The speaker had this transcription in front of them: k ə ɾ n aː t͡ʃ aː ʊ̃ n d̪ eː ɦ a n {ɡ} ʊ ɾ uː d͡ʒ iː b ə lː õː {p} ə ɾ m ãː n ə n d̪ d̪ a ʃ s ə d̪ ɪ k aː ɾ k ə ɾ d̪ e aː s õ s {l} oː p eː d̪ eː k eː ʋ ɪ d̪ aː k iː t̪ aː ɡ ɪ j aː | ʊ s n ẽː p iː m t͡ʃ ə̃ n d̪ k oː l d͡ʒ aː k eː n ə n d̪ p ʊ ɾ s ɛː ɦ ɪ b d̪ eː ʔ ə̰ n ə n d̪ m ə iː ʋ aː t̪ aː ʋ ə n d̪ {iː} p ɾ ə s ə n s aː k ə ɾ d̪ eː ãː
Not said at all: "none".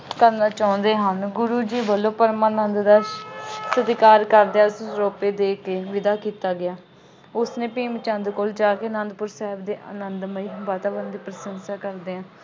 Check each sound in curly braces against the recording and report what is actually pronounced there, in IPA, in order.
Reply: ɡ, p, ɾ, iː

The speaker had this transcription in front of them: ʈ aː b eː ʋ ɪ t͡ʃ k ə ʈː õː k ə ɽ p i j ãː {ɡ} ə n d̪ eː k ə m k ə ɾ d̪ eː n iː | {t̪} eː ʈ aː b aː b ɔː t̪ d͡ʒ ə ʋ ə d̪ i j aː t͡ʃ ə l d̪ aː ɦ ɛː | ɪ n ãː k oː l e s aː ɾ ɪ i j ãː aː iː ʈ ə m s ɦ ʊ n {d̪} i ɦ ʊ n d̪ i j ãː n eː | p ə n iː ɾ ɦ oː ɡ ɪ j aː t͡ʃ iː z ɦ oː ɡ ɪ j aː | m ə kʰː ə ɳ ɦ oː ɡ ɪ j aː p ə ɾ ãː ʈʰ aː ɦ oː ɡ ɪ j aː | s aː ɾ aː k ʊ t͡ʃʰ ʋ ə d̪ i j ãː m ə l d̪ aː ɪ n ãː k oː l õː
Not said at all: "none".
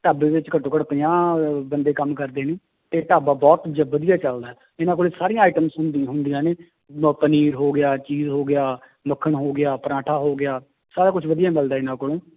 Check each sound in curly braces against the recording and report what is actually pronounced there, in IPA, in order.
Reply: b, t̪, d̪

